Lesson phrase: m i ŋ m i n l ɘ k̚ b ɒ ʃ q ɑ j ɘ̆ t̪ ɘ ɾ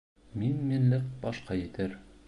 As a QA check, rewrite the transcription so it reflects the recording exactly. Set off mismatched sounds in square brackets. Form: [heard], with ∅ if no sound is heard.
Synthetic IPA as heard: m i [n] m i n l ɘ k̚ b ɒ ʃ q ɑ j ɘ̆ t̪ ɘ ɾ